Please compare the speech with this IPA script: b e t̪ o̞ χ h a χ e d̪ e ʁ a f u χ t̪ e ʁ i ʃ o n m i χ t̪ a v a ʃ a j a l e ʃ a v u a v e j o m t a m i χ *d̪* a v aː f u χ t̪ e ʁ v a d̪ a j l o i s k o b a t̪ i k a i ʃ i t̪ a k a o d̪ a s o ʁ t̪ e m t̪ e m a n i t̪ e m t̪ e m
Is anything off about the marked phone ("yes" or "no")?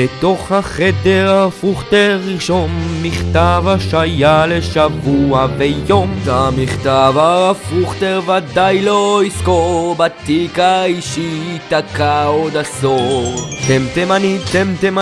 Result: yes